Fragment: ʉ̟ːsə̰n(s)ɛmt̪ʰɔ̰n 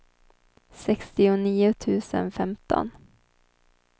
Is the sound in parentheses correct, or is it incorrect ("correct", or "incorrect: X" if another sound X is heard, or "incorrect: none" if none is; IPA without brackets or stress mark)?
incorrect: f